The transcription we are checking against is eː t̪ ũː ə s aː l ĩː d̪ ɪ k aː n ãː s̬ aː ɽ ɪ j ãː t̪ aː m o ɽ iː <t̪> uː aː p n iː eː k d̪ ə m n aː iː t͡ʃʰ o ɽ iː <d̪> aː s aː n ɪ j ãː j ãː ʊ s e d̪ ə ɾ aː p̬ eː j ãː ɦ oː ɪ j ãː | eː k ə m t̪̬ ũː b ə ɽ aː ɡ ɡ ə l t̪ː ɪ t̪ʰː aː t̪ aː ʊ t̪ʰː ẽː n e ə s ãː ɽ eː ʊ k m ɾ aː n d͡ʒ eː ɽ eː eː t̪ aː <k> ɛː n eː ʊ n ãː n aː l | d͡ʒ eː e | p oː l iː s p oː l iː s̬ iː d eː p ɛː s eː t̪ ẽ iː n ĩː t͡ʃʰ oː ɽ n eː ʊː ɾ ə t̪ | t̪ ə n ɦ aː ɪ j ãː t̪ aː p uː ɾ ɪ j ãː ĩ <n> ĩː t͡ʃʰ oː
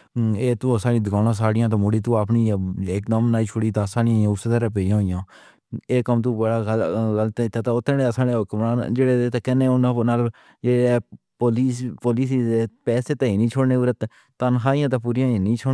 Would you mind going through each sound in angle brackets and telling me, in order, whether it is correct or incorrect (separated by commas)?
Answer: correct, incorrect, correct, correct